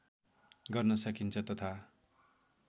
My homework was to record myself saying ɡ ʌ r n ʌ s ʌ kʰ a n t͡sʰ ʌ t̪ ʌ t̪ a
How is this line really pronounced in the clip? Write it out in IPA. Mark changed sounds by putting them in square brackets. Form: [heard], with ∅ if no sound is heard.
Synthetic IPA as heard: ɡ ʌ r n ʌ s ʌ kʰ [i] n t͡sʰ ʌ t̪ ʌ [t̪ʰ] a